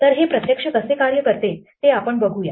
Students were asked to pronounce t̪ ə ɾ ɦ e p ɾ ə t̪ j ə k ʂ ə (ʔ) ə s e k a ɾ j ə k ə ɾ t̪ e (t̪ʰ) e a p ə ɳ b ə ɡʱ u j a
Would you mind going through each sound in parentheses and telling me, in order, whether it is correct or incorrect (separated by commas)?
incorrect, incorrect